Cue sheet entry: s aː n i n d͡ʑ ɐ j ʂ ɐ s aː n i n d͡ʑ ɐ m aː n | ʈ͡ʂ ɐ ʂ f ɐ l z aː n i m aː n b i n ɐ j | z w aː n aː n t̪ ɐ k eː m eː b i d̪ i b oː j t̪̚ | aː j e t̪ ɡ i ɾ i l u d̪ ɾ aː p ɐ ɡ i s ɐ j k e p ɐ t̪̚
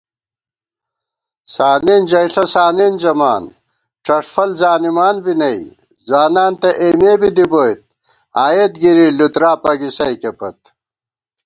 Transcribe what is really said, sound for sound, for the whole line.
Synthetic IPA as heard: s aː n i n d͡ʑ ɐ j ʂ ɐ s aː n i n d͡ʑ ɐ m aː n | ʈ͡ʂ ɐ ʂ f ɐ l z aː n i m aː n b i n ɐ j | z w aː n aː n t̪ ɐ ʔ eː m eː b i d̪ i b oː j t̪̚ | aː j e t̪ ɡ i ɾ i l u t̪ ɾ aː p ɐ ɡ i s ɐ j k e p ɐ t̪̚